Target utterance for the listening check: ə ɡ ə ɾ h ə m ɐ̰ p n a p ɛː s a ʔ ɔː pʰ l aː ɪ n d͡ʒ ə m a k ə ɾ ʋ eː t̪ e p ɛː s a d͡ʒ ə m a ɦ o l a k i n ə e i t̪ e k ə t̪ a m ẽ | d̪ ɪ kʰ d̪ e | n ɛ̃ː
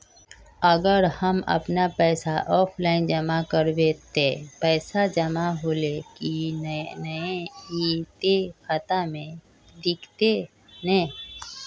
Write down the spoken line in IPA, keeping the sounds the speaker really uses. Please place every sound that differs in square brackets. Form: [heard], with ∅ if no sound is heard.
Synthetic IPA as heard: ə ɡ ə ɾ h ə m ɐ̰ p n a p ɛː s a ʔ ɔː pʰ l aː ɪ n d͡ʒ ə m a k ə ɾ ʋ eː t̪ e p ɛː s a d͡ʒ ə m a ɦ o l [e] k i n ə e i t̪ e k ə t̪ a m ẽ | d̪ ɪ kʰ [t̪] e | n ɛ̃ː